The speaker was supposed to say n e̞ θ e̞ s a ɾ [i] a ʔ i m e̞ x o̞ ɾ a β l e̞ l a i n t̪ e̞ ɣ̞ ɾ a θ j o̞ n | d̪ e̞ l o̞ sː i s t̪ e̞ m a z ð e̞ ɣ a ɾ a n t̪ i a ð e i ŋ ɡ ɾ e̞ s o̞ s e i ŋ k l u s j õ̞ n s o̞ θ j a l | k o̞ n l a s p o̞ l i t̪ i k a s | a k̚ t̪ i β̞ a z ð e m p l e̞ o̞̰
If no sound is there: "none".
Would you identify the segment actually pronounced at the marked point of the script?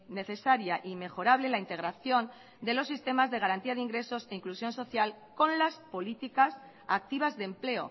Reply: j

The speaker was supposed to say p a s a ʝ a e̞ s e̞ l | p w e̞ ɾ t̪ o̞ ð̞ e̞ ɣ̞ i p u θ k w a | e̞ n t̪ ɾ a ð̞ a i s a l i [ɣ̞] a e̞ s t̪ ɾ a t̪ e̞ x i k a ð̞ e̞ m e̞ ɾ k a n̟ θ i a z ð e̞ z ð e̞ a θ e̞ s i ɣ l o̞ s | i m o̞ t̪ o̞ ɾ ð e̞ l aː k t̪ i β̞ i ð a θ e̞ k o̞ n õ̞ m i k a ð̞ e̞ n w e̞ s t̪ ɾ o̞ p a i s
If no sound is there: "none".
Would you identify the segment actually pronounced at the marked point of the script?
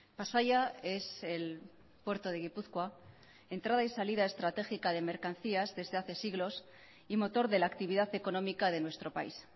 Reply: ð̞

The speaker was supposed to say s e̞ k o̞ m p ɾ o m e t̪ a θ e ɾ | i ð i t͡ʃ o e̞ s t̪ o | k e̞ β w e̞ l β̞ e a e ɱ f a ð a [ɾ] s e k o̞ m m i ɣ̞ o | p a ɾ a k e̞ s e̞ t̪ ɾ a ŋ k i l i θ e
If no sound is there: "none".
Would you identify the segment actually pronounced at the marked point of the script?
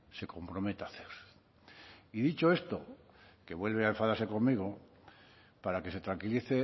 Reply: ɾ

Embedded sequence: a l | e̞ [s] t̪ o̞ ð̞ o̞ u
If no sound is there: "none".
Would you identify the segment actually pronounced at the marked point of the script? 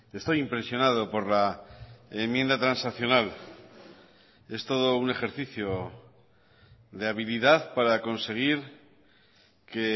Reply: s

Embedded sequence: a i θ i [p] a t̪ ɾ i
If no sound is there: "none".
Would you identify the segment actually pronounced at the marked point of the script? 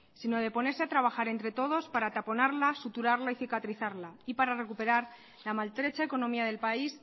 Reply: k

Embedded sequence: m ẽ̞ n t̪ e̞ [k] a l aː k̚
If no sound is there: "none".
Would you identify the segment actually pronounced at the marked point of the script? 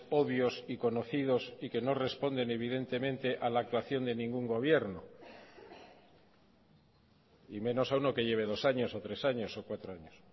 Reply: ʔ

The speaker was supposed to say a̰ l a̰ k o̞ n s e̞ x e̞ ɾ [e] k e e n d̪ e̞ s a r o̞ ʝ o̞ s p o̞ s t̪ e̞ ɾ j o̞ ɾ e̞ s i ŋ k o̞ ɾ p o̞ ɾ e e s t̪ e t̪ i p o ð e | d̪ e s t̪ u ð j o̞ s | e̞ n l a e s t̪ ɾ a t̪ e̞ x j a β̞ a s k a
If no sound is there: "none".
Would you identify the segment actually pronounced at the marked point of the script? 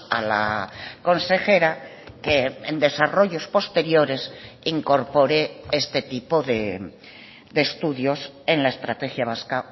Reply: a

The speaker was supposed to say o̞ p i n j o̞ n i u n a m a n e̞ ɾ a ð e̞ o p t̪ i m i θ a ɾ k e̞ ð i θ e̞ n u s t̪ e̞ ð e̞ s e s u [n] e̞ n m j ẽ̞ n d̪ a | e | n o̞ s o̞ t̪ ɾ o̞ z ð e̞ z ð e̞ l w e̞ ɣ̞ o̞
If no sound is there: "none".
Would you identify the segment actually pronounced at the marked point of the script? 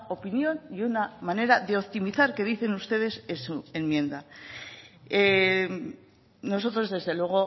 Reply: none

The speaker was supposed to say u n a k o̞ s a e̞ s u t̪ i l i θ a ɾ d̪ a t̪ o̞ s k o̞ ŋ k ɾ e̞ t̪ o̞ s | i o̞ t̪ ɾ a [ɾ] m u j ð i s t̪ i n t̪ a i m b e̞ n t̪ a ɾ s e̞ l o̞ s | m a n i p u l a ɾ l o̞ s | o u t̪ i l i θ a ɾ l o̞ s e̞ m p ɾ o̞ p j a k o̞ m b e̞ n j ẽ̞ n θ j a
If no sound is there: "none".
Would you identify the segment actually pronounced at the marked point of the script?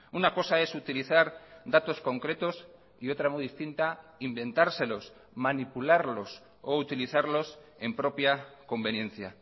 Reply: none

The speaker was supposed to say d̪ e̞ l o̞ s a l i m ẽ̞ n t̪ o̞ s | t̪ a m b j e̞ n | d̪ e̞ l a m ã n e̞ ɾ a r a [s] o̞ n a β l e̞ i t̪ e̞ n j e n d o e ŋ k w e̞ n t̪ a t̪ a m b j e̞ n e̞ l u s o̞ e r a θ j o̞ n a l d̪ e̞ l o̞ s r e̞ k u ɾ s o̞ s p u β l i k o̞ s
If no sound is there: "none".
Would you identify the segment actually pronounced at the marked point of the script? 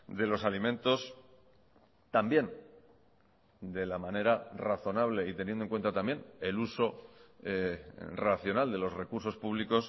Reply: θ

